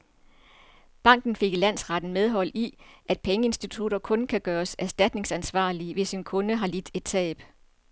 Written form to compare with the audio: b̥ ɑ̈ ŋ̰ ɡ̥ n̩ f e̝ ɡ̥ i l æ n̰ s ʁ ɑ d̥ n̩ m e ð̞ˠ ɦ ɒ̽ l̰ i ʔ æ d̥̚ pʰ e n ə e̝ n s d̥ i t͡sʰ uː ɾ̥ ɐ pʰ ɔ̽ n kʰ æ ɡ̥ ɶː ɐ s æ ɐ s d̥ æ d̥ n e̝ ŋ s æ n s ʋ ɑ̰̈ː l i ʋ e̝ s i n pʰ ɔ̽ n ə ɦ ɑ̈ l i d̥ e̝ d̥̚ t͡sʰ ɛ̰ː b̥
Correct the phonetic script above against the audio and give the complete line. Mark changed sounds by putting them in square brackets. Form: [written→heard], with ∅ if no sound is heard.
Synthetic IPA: b̥ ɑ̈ ŋ̰ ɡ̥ n̩ f e̝ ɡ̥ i l æ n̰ s ʁ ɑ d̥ n̩ m e ð̞ˠ ɦ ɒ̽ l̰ i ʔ æ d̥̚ pʰ e [n→ŋ] ə e̝ n s d̥ i t͡sʰ [uː→u] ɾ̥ ɐ [pʰ→kʰ] ɔ̽ n kʰ æ ɡ̥ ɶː ɐ s æ ɐ s d̥ æ d̥ n e̝ ŋ s æ n s ʋ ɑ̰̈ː l i ʋ e̝ s i n [pʰ→kʰ] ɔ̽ n ə ɦ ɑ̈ l i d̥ e̝ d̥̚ t͡sʰ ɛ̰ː b̥